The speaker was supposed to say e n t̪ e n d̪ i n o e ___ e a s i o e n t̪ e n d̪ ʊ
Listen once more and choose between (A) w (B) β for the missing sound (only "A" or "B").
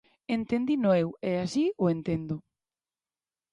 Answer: A